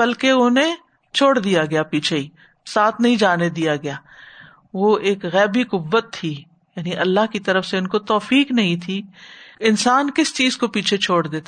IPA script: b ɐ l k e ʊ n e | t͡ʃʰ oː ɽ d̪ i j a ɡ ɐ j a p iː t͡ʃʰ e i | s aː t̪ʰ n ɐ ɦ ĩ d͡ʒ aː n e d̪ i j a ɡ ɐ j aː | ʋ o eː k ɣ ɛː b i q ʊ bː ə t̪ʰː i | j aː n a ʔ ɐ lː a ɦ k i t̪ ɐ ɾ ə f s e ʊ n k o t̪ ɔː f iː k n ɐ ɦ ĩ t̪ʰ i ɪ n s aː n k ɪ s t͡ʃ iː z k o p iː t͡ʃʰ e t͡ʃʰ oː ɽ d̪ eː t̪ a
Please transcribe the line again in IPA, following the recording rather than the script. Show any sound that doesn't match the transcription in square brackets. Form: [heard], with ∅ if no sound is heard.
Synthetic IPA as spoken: b ɐ l k e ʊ n e | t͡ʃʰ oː ɽ d̪ i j a ɡ ɐ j a p iː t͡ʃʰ e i | s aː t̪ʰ n ɐ ɦ ĩ d͡ʒ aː n e d̪ i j a ɡ ɐ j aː | ʋ o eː k ɣ ɛː b i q ʊ bː ə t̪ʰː i | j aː n [i] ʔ ɐ lː a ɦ k i t̪ ɐ ɾ ə f s e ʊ n k o t̪ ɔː f iː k n ɐ ɦ ĩ t̪ʰ i ɪ n s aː n k ɪ s t͡ʃ iː z k o p iː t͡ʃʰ e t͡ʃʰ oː ɽ d̪ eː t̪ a